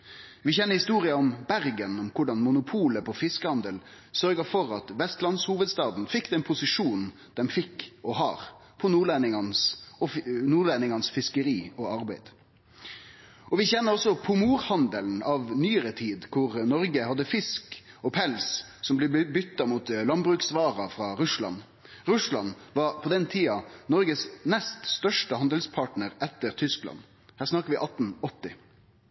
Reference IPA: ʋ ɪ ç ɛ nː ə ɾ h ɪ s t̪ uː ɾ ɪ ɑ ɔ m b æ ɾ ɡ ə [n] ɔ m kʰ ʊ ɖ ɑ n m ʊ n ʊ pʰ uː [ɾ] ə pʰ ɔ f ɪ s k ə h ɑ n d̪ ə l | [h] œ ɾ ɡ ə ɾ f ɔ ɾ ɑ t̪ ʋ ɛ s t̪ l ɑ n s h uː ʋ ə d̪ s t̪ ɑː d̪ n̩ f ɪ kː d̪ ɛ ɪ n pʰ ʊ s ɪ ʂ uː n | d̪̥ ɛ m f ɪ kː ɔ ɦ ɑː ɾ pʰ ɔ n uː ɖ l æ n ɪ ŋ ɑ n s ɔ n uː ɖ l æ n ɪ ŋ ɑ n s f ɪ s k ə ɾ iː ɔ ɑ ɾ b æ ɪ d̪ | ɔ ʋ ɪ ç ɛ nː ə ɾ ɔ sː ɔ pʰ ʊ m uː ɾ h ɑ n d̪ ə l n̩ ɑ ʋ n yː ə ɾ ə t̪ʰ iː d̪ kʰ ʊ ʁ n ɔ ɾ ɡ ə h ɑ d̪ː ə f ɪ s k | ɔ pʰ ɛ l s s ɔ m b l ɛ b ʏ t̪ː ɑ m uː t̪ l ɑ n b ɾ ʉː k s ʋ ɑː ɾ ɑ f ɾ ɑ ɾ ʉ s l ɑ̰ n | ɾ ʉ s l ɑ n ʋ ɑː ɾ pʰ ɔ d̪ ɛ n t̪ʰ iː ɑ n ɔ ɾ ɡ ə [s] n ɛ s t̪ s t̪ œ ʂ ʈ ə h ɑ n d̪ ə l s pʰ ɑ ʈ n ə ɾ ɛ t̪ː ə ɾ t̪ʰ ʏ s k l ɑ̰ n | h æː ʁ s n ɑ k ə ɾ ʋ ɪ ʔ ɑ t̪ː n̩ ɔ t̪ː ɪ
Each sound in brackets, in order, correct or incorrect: correct, incorrect: l, incorrect: s, correct

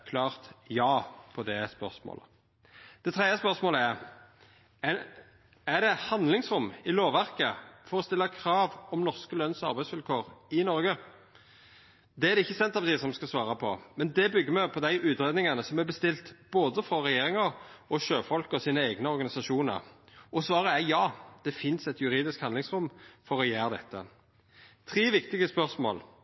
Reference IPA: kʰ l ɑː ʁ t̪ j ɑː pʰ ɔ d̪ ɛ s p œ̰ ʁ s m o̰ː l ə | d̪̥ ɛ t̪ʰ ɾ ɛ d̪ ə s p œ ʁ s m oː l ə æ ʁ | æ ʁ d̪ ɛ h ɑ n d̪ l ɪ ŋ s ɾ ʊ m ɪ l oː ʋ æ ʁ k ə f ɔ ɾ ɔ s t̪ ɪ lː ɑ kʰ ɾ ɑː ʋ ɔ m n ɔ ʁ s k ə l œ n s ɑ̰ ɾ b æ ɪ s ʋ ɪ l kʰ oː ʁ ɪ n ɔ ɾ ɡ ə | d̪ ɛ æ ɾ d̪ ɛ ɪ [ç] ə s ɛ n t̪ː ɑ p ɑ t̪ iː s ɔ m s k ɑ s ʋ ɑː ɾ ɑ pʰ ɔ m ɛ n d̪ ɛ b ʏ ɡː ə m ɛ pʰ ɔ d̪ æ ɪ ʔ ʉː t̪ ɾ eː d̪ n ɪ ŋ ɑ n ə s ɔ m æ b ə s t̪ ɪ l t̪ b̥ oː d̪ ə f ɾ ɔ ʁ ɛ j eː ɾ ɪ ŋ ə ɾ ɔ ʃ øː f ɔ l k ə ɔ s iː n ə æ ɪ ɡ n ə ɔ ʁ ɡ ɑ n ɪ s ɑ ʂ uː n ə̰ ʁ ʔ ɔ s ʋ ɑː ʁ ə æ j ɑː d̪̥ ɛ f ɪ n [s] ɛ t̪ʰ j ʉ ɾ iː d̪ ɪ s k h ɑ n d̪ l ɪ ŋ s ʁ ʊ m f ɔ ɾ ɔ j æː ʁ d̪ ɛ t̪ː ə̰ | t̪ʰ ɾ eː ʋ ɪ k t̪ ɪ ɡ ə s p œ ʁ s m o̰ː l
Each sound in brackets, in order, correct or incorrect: incorrect: çː, correct

